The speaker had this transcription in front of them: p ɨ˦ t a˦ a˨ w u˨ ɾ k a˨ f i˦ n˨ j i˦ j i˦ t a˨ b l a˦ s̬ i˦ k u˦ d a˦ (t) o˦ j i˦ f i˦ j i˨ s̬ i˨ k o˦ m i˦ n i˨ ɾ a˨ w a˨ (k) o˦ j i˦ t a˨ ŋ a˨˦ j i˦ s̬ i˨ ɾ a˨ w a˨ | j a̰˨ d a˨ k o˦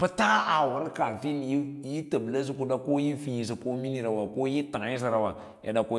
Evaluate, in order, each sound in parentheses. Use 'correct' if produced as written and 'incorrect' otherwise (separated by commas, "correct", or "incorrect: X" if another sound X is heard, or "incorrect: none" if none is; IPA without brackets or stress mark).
incorrect: k, correct